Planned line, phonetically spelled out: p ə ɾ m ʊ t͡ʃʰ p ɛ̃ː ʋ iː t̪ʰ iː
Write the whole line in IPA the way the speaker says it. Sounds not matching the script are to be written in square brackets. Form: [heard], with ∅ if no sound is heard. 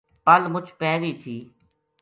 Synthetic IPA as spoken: p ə [l] m ʊ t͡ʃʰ p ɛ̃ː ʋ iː t̪ʰ iː